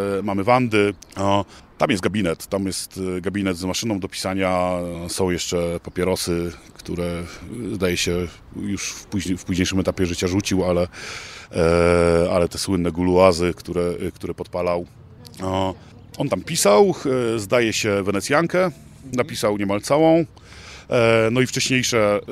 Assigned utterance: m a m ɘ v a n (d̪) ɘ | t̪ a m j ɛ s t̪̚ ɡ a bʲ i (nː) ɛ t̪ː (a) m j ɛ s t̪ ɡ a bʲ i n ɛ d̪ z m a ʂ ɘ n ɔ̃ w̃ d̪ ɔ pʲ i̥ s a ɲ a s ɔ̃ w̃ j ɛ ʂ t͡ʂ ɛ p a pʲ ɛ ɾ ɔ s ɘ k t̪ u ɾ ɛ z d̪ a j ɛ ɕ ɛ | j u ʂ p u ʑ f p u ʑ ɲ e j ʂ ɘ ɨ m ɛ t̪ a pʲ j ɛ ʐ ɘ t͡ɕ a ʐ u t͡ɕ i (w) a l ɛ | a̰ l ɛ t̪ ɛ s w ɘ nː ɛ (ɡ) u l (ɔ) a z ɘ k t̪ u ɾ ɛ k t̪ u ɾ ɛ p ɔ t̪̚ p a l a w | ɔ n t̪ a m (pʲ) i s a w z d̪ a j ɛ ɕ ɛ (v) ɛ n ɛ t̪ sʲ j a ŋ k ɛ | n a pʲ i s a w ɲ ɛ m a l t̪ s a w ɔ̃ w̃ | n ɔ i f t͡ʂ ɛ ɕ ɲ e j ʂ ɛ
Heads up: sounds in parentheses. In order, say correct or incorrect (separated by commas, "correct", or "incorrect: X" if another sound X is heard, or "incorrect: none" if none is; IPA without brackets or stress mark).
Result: correct, incorrect: n, correct, correct, correct, incorrect: u, correct, correct